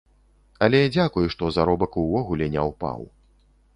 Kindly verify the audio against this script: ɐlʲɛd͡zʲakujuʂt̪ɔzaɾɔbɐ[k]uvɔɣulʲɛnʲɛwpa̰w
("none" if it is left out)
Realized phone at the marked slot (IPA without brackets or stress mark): k